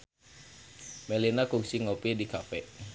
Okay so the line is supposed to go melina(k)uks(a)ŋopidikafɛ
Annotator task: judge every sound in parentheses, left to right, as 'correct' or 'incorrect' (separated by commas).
correct, incorrect